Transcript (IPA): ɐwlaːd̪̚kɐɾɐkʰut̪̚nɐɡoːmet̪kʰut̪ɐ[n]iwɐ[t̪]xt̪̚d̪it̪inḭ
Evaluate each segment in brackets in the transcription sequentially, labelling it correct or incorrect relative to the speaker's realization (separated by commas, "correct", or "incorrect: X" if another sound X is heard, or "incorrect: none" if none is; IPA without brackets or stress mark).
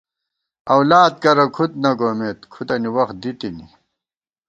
correct, incorrect: none